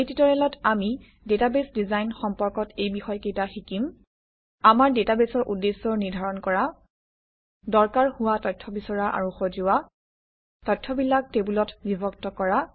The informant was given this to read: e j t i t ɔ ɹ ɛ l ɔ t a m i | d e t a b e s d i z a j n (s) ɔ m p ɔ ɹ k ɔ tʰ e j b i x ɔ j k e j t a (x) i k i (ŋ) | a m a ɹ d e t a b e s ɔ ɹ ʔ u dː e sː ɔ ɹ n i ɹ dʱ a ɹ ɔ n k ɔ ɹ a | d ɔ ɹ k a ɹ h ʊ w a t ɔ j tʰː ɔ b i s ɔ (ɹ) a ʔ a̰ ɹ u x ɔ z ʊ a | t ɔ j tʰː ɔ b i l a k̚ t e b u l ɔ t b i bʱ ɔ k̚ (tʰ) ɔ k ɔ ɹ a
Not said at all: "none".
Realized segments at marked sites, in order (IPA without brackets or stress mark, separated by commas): x, x, m, ɹ, t